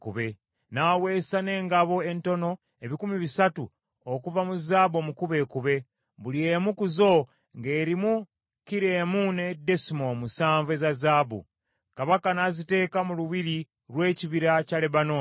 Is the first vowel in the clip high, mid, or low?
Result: high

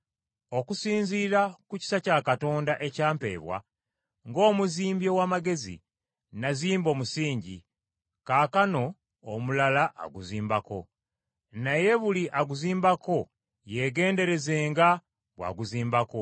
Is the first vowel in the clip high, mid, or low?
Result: mid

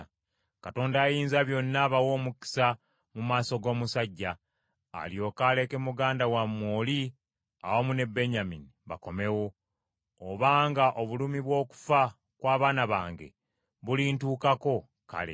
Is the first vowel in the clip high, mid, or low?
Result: low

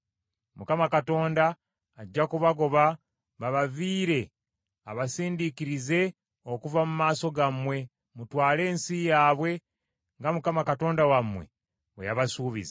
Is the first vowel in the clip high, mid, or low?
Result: high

